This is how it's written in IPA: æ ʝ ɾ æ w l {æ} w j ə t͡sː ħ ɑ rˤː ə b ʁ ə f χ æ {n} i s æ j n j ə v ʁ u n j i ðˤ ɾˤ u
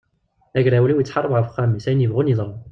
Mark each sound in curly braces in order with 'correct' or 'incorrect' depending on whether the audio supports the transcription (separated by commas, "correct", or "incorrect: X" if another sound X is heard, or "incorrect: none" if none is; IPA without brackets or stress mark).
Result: incorrect: i, incorrect: m